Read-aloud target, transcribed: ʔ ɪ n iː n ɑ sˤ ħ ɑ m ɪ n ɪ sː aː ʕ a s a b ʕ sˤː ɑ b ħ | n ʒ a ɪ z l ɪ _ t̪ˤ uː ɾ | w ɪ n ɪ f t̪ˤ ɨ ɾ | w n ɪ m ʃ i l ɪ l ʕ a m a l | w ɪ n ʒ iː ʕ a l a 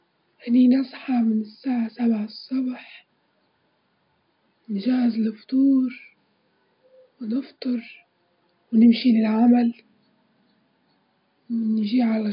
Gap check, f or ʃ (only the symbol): f